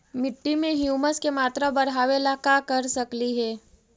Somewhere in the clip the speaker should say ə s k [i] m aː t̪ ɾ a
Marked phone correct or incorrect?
incorrect